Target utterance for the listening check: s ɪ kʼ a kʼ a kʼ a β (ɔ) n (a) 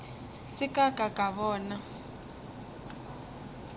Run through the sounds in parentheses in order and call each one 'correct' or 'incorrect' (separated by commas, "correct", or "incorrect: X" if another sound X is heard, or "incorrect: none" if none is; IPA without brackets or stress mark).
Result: incorrect: ɔː, correct